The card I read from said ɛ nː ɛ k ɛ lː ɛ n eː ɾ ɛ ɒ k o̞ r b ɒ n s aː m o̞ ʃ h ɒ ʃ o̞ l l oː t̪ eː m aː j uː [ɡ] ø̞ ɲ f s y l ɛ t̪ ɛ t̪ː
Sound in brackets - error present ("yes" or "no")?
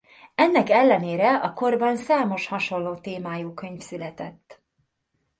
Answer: yes